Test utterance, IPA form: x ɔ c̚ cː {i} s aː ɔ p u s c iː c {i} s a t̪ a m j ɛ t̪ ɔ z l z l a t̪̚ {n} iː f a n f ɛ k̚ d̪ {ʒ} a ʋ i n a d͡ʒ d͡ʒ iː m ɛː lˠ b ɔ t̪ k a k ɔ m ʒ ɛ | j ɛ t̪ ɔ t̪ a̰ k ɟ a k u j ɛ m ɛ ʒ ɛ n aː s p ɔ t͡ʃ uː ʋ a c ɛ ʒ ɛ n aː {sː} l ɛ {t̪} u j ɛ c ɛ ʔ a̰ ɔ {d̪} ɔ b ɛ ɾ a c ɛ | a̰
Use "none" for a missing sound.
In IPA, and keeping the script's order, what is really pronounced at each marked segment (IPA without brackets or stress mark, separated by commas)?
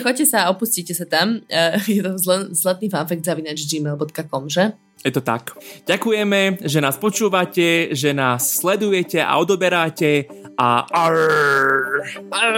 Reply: ɛ, ɛ, n, z, sː, d̪, d̪